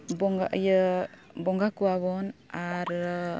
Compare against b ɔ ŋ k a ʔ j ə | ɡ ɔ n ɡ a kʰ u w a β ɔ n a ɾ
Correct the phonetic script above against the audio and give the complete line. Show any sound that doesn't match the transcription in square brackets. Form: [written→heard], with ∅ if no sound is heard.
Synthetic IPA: b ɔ ŋ [k→ɡ] a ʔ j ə | [ɡ→b] ɔ [n→ŋ] ɡ a [kʰ→k] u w a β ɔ n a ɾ